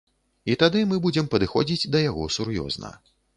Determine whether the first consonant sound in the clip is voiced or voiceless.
voiceless